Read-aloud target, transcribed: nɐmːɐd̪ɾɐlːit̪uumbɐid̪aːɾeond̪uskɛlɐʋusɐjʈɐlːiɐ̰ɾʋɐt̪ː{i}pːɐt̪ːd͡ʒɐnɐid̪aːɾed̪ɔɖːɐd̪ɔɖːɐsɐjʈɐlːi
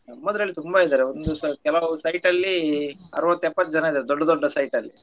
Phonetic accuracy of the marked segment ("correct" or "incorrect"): incorrect